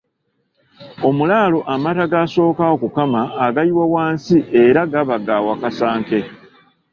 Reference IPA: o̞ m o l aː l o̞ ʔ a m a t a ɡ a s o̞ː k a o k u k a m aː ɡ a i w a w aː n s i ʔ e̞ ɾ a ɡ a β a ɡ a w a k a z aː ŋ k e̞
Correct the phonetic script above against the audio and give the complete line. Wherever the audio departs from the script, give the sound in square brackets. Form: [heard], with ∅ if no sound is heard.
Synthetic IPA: o̞ m [u] l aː l o̞ ʔ a m a t a ɡ a s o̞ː k a o k u k a m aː ɡ a i w a w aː n s i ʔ e̞ ɾ a ɡ a β a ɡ a w a k a [s] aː ŋ k e̞